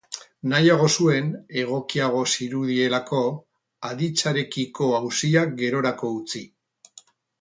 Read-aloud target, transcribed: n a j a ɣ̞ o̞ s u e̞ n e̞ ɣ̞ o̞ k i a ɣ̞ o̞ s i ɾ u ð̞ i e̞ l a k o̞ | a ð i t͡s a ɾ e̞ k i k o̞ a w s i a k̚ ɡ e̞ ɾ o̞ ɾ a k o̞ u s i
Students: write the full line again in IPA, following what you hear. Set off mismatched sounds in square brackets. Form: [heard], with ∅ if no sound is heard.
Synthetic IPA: n a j a ɣ̞ o̞ s u e̞ n e̞ ɣ̞ o̞ k i a ɣ̞ o̞ s i ɾ u ð̞ i e̞ l a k o̞ | a ð i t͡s a ɾ e̞ k i k o̞ a w s i a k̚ ɡ e̞ ɾ o̞ ɾ a k o̞ u [t͡s] i